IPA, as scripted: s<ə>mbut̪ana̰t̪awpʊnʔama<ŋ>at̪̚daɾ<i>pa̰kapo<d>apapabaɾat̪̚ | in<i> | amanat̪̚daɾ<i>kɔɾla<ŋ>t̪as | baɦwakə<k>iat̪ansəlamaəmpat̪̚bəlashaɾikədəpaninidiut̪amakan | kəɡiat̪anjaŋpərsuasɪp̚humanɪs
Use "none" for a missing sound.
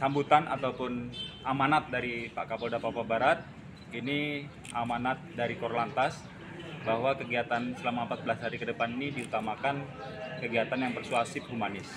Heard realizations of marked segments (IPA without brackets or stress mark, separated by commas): a, n, i, d, i, i, n, ɡ